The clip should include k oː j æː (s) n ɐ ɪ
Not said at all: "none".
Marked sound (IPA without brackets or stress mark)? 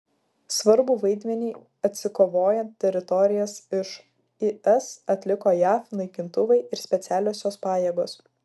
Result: f